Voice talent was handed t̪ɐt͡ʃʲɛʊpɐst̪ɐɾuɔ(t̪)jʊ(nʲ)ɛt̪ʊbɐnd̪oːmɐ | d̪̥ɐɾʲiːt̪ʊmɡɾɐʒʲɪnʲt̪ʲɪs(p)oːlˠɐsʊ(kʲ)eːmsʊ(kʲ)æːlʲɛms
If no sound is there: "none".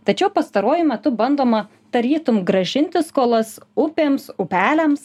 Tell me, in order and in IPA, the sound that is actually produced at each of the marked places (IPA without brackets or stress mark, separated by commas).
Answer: none, mʲ, k, pʲ, pʲ